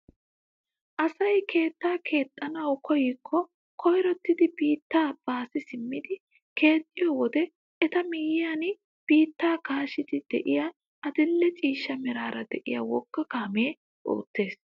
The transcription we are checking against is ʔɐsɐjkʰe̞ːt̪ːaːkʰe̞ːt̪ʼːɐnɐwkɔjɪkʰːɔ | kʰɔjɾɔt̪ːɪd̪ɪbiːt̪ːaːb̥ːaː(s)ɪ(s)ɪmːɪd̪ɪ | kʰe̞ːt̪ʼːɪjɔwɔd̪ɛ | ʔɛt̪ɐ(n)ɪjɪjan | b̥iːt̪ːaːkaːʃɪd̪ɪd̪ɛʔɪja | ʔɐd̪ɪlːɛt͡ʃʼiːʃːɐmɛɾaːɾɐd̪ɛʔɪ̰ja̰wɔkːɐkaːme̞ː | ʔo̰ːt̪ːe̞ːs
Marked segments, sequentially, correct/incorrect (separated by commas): correct, correct, incorrect